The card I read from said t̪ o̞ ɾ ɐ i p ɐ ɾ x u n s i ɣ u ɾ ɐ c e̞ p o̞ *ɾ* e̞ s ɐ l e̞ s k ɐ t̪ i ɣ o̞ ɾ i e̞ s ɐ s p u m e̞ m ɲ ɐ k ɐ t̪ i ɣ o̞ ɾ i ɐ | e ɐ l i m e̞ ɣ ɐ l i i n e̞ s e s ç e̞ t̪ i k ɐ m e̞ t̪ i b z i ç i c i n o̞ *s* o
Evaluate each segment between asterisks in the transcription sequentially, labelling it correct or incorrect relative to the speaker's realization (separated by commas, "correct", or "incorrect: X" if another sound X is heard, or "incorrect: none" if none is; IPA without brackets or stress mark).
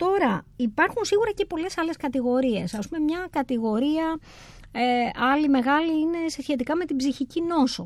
incorrect: l, correct